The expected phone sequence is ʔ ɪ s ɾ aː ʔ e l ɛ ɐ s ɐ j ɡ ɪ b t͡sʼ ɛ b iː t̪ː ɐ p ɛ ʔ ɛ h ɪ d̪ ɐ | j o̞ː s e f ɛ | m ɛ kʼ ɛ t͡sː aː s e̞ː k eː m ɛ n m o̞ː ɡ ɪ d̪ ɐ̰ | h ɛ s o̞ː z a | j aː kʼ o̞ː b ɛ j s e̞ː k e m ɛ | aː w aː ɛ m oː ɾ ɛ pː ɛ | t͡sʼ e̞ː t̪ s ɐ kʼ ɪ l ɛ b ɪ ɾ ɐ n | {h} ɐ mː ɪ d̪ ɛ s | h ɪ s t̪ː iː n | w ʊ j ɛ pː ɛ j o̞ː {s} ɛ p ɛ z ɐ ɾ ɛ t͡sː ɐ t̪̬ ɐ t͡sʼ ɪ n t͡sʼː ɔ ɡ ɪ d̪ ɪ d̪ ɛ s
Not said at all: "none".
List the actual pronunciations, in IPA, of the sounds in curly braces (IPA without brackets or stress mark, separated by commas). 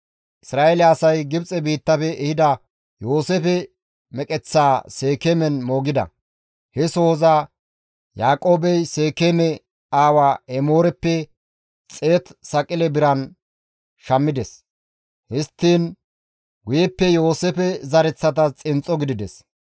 ʃ, s